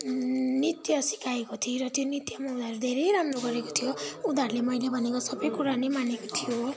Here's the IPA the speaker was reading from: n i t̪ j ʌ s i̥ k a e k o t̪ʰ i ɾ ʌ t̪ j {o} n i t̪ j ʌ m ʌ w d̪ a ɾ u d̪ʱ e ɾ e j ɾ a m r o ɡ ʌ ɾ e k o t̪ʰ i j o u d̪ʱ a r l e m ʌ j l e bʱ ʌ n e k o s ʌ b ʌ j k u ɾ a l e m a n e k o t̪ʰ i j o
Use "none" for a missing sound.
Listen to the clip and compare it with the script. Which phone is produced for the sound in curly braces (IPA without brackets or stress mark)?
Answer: o